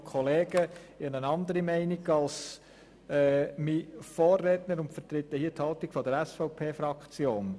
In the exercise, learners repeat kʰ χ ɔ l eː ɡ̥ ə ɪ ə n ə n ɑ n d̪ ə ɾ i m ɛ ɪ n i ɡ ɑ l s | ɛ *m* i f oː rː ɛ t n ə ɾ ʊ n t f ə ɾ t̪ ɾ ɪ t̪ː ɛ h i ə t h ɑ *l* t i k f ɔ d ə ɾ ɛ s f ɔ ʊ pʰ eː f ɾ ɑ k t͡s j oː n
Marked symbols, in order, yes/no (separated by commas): yes, yes